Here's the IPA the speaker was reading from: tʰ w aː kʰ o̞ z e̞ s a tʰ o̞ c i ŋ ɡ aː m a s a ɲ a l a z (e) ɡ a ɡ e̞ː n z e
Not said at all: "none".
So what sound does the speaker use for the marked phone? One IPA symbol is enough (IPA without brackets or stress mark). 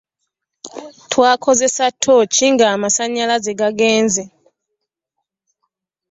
e